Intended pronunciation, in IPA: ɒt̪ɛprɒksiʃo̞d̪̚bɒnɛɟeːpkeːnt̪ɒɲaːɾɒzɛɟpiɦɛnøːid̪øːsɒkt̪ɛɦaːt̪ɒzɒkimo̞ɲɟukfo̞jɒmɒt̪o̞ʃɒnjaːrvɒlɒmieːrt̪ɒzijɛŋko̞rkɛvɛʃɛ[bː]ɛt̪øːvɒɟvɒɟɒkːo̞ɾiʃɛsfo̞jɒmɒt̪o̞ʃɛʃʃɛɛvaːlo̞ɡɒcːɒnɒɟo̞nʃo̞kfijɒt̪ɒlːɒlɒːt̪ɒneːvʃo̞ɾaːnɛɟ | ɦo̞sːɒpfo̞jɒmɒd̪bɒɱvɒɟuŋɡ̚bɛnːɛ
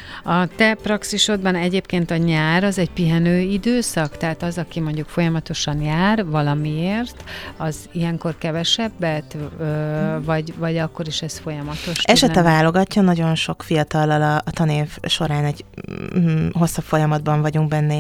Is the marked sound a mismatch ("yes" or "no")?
no